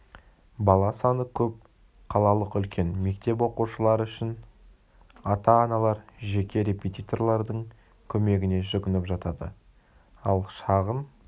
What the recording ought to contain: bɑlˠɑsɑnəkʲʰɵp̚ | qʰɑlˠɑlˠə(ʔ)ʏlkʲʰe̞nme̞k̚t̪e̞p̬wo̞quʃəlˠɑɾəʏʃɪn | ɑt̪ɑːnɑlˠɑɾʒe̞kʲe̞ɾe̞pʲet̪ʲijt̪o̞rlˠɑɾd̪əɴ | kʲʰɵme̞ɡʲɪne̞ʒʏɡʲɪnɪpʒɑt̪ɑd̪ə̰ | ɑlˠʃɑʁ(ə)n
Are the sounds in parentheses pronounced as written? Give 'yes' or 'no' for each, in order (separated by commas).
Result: no, yes